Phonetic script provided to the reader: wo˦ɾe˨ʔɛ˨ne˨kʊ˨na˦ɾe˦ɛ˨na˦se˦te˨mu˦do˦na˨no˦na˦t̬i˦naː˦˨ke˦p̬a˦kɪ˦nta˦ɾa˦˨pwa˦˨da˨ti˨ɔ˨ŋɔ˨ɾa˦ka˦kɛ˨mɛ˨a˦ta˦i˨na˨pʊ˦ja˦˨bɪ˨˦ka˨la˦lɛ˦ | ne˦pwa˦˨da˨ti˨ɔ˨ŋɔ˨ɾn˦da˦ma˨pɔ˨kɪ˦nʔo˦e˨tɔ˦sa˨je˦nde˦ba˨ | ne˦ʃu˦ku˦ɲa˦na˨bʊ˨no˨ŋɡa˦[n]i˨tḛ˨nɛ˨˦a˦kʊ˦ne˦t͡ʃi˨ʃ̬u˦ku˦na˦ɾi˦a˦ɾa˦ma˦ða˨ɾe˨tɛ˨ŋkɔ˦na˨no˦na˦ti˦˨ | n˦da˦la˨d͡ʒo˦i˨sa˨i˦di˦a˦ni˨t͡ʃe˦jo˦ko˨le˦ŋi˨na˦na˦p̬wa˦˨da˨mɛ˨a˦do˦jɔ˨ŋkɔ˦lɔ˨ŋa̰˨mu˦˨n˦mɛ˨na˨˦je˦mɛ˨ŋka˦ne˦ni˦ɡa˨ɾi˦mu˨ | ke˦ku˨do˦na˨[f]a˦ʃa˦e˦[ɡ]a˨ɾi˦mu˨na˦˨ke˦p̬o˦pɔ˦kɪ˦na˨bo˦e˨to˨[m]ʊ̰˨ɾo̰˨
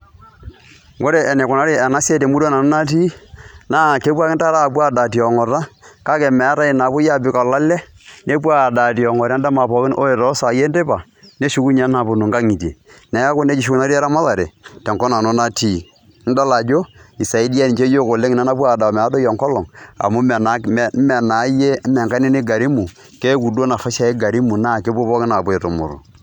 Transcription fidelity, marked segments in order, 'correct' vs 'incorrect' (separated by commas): incorrect, correct, correct, correct